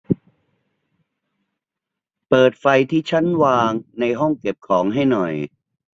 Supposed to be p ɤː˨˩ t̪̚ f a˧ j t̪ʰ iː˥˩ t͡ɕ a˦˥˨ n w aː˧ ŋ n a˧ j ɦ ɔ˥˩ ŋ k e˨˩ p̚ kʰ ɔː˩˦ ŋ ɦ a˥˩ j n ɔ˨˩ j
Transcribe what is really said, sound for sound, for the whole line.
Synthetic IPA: p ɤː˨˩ t̪̚ f a˧ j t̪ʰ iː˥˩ t͡ɕʰ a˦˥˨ n w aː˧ ŋ n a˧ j ɦ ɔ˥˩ ŋ k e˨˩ p̚ kʰ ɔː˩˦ ŋ ɦ a˥˩ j n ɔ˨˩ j

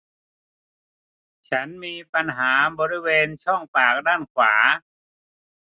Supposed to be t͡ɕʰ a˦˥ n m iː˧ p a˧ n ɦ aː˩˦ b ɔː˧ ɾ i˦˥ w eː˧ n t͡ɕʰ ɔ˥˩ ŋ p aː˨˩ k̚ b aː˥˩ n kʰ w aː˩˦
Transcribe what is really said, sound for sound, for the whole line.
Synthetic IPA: t͡ɕʰ a˦˥ n m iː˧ p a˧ n ɦ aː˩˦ b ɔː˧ ɾ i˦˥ w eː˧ n t͡ɕʰ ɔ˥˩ ŋ p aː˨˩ k̚ d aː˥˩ n kʰ w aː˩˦

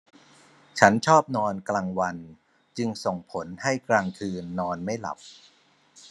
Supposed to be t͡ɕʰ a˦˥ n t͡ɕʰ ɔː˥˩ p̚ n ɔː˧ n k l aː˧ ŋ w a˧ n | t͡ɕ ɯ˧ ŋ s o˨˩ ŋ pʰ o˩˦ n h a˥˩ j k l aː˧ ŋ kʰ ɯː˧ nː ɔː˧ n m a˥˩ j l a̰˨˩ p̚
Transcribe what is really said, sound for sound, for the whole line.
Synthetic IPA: t͡ɕʰ a˦˥ n t͡ɕʰ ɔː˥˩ p̚ n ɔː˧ n k l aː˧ ŋ w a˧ n | t͡ɕ ɯ˧ ŋ s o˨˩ ŋ pʰ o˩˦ n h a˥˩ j k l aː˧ ŋ kʰ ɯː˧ nː ɔː˧ n m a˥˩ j l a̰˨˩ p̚

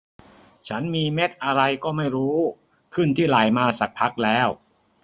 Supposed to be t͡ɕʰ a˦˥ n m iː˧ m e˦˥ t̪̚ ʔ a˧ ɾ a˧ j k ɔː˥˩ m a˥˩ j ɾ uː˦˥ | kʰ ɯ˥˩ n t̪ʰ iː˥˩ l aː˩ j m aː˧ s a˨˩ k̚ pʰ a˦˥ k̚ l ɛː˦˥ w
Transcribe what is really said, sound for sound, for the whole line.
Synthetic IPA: t͡ɕʰ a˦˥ n m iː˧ m e˦˥ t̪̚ ʔ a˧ ɾ a˧ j k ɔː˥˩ m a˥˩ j ɾ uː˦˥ | kʰ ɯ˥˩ n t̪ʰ iː˥˩ l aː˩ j m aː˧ s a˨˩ k̚ pʰ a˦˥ k̚ l ɛː˦˥ w

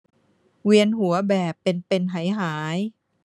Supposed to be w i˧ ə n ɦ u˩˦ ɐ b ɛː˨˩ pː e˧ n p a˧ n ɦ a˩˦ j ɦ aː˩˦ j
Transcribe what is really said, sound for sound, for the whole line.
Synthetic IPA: w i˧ ə n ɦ u˩˦ ɐ b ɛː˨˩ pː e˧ n p e˧ n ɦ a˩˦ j ɦ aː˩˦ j

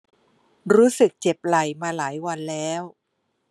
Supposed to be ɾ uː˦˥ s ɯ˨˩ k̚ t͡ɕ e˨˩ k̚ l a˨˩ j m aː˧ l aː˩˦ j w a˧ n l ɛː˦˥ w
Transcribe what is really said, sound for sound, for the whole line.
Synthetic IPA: ɾ uː˦˥ s ɯ˨˩ k̚ t͡ɕ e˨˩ p̚ l a˨˩ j m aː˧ l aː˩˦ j w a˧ n l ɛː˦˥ w

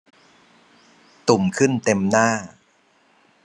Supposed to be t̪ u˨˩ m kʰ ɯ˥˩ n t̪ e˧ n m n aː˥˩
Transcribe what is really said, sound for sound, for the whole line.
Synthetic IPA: t̪ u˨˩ m kʰ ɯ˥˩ n t̪ e˧ m n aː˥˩

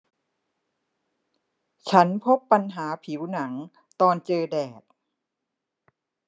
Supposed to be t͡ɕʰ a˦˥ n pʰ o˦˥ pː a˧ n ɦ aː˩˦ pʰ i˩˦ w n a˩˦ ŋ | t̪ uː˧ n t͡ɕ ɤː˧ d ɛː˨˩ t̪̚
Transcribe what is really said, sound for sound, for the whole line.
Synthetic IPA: t͡ɕʰ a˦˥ n pʰ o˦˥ pː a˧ n ɦ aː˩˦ pʰ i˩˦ w n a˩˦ ŋ | t̪ ɔː˧ n t͡ɕ ɤː˧ d ɛː˨˩ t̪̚

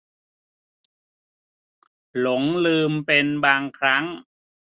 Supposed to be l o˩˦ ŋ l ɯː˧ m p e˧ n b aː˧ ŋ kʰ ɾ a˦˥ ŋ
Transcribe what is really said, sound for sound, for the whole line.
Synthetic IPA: l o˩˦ ŋ l ɯː˧ m p e˧ n b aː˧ ŋ kʰ ɾ a˦˥ ŋ

